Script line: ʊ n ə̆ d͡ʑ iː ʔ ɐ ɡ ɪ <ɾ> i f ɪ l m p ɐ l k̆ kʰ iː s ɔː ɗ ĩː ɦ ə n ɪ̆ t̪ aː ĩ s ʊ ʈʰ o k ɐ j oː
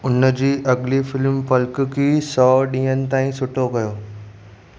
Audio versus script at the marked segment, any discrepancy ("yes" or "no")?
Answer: yes